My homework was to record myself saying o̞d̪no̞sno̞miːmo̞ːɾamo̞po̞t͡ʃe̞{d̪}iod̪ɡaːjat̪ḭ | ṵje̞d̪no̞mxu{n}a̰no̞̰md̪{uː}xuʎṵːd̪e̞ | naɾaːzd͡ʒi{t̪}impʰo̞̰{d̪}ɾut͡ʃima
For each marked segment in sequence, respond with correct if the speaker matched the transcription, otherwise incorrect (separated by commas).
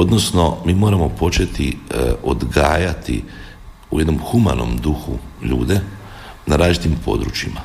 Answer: incorrect, incorrect, incorrect, correct, correct